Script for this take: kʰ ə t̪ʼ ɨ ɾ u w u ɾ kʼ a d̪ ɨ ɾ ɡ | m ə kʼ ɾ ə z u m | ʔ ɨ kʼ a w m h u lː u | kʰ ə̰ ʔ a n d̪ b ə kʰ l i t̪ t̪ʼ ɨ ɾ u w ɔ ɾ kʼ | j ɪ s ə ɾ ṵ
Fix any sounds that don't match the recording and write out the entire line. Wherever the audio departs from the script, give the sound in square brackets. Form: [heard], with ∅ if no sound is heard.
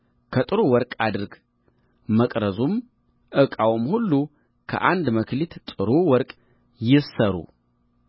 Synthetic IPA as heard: kʰ ə t̪ʼ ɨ ɾ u w [ɔ] ɾ kʼ a d̪ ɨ ɾ ɡ | m ə kʼ ɾ ə z u m | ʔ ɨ kʼ a w m h u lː u | kʰ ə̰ ʔ a n d̪ [m] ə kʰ l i t̪ t̪ʼ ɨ ɾ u w ɔ ɾ kʼ | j ɪ s ə ɾ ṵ